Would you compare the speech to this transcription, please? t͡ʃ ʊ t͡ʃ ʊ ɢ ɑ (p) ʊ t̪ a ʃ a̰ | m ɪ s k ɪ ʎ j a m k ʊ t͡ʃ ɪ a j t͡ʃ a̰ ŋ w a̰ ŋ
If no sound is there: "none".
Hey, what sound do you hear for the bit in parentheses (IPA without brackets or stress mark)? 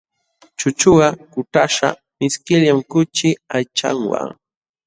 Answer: k